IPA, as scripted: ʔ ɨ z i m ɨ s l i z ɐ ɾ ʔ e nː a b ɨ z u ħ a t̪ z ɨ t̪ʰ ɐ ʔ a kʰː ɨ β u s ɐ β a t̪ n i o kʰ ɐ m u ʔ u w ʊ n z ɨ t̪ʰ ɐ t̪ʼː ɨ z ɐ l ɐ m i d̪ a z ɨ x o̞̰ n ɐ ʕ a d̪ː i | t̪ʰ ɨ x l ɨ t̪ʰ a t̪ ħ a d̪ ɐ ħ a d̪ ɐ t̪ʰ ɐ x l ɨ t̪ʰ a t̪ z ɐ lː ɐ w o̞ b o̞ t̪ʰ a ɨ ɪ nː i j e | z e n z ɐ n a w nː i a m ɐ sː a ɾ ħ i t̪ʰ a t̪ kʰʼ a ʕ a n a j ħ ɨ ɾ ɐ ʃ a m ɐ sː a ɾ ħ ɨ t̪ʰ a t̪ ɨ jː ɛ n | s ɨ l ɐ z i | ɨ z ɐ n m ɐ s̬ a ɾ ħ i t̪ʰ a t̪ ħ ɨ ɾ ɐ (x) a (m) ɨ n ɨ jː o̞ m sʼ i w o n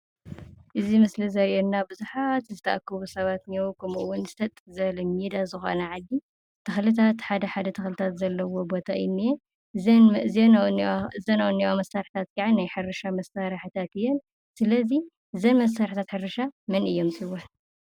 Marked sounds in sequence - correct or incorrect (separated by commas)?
incorrect, correct